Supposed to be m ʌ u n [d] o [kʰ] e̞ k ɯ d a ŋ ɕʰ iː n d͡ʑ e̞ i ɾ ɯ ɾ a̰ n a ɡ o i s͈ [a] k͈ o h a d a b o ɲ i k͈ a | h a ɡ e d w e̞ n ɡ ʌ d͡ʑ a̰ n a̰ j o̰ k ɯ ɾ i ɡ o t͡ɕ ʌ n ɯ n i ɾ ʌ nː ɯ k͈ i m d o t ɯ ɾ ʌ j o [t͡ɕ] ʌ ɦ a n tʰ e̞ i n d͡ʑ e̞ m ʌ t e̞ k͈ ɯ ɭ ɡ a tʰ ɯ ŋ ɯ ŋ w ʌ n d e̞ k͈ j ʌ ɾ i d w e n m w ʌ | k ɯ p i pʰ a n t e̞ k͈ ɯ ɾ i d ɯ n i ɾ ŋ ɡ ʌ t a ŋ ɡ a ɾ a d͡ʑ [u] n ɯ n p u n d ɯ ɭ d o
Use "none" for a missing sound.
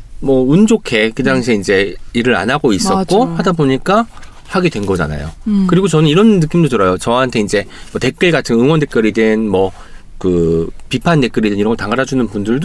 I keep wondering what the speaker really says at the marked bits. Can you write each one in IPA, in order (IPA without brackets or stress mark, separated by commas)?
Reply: d͡ʑ, kʰ, ʌ, t͡ɕ, u